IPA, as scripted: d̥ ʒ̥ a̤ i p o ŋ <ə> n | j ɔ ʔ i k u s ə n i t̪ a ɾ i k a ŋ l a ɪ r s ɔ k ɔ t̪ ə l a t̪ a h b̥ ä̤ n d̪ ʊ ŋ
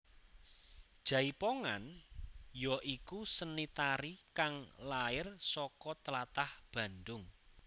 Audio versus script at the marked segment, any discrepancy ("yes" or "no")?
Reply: yes